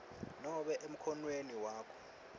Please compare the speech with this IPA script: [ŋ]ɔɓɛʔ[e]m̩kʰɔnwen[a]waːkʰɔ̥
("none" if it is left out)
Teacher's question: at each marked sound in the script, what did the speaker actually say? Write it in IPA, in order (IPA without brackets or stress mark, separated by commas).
n, e, i